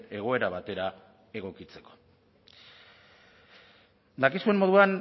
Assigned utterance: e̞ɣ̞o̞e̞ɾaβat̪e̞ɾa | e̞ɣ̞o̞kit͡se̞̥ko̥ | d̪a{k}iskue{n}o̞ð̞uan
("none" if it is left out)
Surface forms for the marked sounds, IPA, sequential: k, m

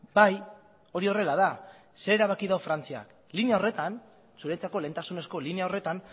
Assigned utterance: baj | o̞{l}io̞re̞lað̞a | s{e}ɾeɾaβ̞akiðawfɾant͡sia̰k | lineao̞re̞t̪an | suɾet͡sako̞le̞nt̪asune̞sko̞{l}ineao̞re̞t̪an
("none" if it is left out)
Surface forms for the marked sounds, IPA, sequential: ɾ, e, l

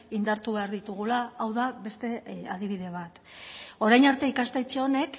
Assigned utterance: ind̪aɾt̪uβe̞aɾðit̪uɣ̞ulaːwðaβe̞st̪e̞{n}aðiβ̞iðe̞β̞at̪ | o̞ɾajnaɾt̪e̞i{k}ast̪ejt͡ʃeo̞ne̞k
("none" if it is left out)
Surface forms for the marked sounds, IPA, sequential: none, k

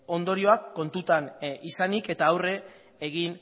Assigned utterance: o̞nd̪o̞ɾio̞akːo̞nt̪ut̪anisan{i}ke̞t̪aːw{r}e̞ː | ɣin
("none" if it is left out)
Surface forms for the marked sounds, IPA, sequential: i, r

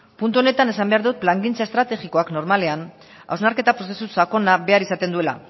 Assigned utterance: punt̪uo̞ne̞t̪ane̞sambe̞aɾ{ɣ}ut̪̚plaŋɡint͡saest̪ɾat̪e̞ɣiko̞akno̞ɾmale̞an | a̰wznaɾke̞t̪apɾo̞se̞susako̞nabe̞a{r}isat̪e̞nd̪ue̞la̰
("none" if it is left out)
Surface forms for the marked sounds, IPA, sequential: ð, ɾ

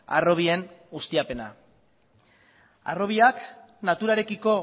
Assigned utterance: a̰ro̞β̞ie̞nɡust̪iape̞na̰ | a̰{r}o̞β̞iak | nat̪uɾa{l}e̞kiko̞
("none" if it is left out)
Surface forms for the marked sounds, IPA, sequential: r, ɾ

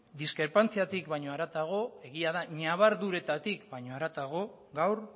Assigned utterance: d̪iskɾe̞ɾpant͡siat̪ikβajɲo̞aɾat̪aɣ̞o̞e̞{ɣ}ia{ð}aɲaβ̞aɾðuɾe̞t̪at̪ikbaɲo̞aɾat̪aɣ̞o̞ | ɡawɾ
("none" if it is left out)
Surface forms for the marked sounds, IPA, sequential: ɣ, ð

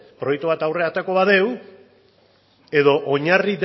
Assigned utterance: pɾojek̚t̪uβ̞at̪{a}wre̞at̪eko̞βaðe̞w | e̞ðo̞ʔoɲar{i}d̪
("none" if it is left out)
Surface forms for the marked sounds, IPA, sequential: a, i

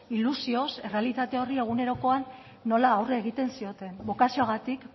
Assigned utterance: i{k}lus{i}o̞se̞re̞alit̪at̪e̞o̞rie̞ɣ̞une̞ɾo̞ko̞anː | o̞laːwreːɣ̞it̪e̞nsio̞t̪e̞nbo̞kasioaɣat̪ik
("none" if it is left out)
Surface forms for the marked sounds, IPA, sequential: none, i

